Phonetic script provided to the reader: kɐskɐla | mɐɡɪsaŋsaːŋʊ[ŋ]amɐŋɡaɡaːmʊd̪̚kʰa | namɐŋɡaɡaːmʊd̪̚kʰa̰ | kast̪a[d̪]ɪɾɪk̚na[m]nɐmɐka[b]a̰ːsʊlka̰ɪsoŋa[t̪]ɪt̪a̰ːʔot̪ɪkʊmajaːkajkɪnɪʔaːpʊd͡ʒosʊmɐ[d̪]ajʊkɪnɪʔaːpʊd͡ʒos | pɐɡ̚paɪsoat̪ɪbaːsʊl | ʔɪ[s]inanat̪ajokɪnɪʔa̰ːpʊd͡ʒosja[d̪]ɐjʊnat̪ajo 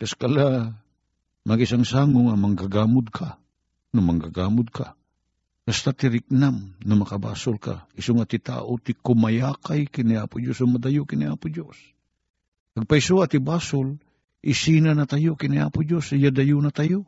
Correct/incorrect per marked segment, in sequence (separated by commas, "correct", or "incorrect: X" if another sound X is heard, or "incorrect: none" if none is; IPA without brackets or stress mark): correct, incorrect: t̪, correct, correct, correct, correct, correct, correct